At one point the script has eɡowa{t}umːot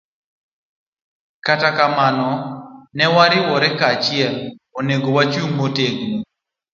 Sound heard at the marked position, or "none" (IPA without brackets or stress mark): t͡ʃ